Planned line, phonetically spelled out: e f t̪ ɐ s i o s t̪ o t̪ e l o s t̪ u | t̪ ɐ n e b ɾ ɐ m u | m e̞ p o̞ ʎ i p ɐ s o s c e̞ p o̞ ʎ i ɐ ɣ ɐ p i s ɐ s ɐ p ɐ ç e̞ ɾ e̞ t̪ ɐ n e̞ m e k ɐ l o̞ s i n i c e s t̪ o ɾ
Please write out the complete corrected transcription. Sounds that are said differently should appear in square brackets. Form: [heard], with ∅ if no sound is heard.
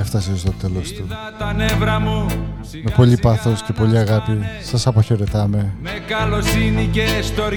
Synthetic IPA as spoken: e f t̪ ɐ s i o s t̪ o t̪ e l o s t̪ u | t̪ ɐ n e [v] ɾ ɐ m u | m e̞ p o̞ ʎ i p ɐ [θ] o s c e̞ p o̞ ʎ i ɐ ɣ ɐ p i s ɐ s ɐ p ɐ ç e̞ ɾ e̞ t̪ ɐ [m] e̞ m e k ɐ l o̞ s i n i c e s t̪ o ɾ